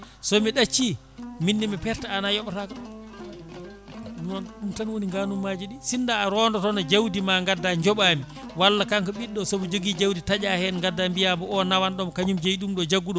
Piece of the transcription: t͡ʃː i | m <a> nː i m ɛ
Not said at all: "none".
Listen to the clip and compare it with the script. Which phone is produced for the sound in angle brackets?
i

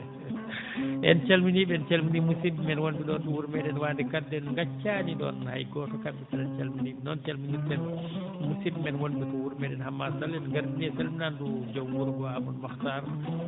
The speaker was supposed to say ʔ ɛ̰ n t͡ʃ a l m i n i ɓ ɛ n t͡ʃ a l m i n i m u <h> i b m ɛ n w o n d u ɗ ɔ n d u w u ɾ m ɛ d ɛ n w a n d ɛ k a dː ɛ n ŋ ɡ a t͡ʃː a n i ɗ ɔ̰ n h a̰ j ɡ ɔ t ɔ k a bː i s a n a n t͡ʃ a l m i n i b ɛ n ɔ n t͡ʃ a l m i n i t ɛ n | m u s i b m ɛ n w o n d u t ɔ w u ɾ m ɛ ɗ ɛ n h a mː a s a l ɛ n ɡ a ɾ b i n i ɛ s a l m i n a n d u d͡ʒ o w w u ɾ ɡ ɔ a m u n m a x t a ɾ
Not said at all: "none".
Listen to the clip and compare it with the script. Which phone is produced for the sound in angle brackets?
s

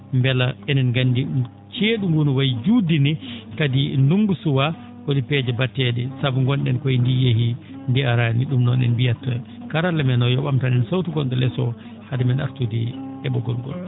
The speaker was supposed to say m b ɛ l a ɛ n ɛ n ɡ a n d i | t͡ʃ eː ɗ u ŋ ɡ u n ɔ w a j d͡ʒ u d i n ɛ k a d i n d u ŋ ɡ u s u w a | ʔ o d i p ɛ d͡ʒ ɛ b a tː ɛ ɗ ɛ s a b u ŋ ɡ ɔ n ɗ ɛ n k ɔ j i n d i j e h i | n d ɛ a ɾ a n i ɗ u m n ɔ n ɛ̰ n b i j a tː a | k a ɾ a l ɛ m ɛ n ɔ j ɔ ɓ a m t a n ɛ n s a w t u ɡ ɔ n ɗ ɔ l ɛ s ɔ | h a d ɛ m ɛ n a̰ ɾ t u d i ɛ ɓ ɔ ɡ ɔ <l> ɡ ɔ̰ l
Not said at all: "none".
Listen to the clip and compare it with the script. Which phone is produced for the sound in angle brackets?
l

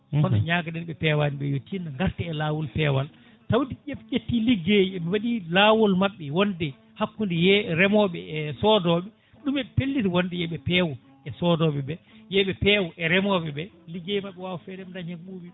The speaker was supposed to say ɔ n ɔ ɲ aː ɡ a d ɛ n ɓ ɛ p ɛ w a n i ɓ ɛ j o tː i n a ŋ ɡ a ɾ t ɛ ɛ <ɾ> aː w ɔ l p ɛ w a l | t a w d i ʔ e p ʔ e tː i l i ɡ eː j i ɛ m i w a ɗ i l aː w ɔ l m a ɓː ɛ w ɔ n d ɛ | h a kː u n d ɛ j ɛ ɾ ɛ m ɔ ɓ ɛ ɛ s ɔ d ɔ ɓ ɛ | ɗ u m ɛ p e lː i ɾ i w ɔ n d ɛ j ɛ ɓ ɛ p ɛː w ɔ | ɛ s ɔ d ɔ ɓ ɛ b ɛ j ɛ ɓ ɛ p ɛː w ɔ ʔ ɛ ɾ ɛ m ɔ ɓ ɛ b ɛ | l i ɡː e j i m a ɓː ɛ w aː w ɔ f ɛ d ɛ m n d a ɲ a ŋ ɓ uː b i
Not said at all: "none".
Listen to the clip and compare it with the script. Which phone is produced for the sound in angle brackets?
l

